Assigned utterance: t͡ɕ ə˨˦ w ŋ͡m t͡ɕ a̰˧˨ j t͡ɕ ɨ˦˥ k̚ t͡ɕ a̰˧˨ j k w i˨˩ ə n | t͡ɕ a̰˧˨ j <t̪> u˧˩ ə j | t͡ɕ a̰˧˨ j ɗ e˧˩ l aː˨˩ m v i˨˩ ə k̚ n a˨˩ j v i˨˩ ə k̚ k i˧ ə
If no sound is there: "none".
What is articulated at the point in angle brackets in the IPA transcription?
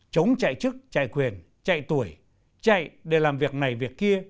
t̪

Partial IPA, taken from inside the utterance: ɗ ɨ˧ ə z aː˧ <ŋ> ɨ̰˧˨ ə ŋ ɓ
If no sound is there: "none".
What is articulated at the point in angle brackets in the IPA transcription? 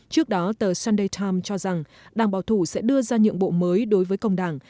ɲ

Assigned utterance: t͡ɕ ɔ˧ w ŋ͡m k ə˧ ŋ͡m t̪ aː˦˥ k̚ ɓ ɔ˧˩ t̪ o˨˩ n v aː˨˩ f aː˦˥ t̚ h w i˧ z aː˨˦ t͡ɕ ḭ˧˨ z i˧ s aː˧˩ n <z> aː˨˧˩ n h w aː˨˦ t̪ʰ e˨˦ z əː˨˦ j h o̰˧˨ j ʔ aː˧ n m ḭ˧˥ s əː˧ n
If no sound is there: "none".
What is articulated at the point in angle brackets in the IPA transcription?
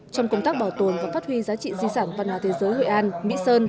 v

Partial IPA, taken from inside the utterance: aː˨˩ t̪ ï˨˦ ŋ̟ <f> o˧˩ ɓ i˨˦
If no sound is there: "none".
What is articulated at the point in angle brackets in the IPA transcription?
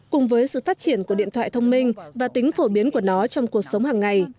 f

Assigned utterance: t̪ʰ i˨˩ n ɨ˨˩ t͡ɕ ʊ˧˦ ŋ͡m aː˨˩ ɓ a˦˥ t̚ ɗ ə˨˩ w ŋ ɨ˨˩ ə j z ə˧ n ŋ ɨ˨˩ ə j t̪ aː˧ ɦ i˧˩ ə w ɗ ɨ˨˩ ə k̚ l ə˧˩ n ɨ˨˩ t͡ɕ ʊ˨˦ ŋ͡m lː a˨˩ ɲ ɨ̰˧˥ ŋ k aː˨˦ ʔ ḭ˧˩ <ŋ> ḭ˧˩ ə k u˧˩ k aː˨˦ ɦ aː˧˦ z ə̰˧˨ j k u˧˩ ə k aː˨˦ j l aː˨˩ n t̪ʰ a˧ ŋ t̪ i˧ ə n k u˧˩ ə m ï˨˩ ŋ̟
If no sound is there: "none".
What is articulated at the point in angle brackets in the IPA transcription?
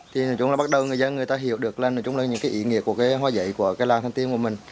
ŋ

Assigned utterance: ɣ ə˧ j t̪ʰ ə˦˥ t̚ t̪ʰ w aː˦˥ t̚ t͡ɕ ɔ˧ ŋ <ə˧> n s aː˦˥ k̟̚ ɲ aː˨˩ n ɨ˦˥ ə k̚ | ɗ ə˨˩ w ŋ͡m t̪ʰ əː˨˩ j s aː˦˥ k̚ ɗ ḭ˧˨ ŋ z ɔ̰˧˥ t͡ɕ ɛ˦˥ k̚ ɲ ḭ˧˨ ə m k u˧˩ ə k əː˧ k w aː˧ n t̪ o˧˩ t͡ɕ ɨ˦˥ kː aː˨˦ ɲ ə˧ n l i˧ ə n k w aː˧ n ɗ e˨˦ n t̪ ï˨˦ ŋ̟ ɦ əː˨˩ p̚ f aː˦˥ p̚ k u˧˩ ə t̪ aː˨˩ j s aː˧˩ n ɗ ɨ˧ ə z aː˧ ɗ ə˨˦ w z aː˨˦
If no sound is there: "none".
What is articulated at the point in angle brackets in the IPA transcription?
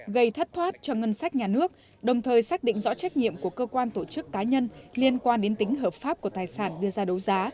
ə˧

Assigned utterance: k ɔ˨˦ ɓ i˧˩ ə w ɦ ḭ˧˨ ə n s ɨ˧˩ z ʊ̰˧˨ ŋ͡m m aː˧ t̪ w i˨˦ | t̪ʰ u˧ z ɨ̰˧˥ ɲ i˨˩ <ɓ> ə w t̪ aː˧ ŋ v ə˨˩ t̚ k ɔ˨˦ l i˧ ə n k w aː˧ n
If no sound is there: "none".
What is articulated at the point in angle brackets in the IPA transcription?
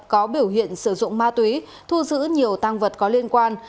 none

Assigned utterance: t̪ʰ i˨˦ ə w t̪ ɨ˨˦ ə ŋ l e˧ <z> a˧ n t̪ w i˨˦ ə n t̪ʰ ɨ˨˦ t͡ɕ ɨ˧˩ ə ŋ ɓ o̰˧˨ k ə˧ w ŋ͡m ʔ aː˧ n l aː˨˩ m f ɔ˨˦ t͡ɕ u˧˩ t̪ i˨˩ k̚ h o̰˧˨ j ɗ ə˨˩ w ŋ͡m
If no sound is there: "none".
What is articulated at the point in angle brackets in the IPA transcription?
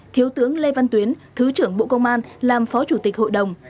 v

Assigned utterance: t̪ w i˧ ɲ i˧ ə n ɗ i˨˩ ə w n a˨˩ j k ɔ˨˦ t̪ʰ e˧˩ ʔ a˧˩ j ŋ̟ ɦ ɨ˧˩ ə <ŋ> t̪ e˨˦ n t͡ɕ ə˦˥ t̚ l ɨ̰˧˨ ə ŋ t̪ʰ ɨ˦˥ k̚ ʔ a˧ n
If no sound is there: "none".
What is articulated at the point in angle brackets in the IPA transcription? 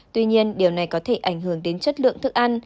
ŋ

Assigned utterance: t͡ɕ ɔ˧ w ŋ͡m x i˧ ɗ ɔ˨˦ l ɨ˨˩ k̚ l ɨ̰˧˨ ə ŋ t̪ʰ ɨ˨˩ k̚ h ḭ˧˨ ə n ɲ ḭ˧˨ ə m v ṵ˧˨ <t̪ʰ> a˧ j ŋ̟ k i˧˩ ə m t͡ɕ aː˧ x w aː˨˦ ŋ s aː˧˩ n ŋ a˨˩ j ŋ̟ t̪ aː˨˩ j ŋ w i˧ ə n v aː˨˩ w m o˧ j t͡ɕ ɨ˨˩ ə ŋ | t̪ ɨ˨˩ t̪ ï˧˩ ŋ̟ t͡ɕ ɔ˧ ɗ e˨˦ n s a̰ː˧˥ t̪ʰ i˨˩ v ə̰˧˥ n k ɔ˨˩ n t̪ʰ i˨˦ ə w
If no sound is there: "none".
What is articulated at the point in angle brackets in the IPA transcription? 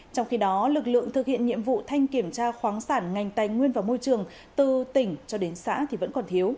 t̪ʰ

